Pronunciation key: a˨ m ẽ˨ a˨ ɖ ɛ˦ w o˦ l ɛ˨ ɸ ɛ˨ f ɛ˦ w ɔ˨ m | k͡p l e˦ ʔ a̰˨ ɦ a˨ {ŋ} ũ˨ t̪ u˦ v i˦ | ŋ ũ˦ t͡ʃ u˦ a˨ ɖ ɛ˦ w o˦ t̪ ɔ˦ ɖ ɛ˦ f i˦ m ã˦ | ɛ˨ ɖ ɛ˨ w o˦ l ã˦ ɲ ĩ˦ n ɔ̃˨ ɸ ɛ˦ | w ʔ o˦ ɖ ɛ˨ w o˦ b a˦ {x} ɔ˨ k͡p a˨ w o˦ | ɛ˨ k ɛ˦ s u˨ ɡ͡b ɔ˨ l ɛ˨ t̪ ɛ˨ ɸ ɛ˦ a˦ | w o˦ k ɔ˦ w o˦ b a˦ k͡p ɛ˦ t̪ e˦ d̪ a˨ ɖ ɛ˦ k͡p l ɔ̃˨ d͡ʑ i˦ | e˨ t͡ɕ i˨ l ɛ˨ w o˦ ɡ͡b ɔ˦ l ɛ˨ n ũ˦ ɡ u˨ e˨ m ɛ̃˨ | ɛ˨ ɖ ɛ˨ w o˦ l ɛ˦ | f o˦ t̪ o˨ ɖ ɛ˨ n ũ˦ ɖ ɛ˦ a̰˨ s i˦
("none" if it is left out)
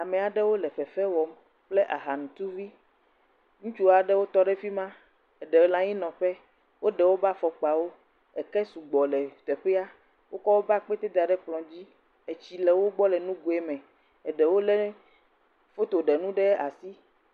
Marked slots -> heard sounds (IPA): n, f

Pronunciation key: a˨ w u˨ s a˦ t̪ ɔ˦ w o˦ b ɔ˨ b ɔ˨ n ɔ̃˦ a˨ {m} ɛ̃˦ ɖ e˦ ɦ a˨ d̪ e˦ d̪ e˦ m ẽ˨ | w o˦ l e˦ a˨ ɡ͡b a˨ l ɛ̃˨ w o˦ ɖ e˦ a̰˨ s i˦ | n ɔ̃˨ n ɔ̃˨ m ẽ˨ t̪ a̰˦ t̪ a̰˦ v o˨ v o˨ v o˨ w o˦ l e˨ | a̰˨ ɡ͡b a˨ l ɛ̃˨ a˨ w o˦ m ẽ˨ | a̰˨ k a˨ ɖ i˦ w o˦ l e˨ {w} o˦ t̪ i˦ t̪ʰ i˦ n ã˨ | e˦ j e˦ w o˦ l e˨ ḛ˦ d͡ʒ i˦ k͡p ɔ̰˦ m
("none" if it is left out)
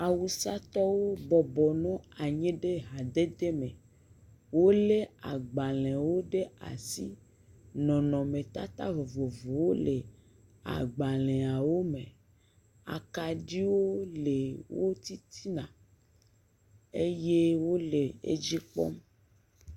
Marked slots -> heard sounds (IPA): ɲ, w

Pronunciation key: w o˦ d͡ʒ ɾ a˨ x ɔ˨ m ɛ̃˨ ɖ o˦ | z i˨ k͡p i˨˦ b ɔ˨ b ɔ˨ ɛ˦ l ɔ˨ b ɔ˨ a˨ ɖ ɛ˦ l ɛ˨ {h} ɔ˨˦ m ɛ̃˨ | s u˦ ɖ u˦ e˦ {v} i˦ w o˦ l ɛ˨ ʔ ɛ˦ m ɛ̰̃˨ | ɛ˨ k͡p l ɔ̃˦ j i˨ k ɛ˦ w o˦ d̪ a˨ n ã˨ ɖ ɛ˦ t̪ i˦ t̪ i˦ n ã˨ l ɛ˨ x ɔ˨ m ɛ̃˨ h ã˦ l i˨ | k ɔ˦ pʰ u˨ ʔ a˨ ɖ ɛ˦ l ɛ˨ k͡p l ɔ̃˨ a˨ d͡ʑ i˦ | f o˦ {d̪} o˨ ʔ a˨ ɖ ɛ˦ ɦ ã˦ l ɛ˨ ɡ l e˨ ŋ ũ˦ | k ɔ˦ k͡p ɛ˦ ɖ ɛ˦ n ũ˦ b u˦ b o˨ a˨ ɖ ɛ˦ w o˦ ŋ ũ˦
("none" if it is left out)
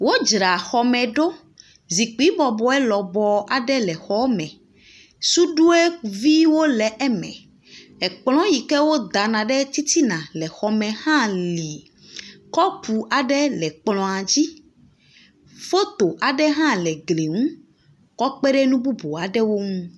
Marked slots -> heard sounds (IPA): x, v, t̪

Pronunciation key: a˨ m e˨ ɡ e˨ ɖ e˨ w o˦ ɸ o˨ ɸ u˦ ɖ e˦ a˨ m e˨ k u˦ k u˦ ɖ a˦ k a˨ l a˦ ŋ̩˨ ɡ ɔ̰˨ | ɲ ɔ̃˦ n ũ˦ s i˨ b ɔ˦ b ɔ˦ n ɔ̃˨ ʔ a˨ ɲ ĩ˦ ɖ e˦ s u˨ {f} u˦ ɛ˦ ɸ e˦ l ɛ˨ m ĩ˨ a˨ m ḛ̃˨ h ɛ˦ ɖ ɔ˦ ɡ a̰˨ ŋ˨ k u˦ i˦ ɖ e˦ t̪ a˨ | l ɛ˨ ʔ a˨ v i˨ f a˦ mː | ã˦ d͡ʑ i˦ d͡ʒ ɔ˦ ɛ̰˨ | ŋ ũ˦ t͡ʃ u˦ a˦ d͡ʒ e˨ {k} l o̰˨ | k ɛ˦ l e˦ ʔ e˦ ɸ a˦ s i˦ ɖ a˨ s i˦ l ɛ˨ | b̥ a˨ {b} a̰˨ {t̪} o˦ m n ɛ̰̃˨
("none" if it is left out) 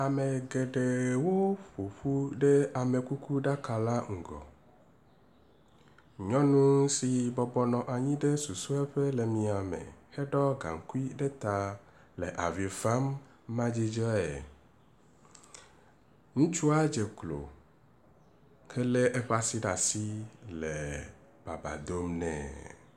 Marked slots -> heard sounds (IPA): s, k, b, d̪

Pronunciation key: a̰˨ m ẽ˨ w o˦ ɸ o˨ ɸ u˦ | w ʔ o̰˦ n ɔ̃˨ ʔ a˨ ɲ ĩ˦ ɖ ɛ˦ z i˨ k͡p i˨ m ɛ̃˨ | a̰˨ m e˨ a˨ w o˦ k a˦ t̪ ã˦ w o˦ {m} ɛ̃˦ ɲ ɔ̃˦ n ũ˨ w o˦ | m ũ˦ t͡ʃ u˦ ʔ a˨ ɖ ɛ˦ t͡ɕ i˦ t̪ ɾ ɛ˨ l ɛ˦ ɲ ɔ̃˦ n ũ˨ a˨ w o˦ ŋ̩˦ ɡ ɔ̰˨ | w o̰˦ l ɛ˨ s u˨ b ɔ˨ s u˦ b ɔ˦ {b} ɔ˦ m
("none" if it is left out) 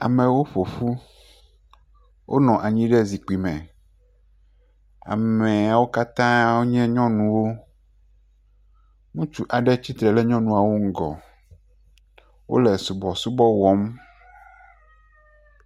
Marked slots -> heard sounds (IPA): ɲ, w

